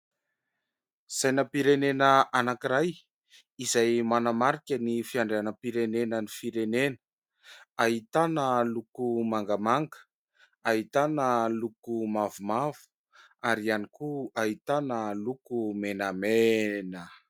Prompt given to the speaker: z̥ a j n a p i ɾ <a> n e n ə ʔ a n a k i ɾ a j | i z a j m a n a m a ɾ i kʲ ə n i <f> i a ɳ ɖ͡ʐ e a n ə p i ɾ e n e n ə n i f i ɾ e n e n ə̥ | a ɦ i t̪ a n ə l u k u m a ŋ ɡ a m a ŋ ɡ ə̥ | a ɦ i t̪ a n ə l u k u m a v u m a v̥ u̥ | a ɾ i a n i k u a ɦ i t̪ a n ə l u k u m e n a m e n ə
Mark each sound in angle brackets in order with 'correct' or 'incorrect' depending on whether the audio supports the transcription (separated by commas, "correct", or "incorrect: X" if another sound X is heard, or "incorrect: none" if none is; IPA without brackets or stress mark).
incorrect: e, correct